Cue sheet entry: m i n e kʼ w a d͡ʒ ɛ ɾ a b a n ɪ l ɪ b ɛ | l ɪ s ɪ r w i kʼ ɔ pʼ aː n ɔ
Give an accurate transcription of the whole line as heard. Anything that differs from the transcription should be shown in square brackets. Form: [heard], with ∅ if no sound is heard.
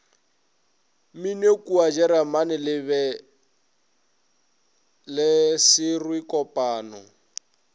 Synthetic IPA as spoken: m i n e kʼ [u] a d͡ʒ ɛ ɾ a [m] a n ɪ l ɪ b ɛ | l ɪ s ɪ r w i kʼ ɔ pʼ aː n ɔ